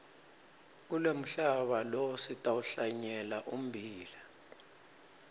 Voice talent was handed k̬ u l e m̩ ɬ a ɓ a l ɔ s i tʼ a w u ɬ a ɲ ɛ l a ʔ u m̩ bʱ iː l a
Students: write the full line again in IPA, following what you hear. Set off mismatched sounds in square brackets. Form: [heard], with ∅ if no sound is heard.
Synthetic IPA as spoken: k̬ u l e m̩ ɬ a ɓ a l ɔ s i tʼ a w u ɬ a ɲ ɛ l a ʔ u m̩ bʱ iː l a